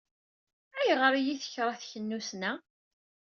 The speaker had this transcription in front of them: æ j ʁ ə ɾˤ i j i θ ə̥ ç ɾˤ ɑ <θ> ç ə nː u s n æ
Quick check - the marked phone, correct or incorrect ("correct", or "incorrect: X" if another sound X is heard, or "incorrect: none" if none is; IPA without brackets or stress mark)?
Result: correct